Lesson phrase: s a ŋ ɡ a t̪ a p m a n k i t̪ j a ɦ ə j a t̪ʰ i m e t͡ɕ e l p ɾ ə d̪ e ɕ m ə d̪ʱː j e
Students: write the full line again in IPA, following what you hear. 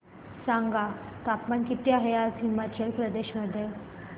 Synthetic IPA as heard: s a ŋ ɡ a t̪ a p m a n k i t̪ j a ɦ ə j a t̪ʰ i m a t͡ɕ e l p ɾ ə d̪ e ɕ m ə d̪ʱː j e